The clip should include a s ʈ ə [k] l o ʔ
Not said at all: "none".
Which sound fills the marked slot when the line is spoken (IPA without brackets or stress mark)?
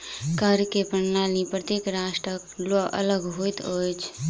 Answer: k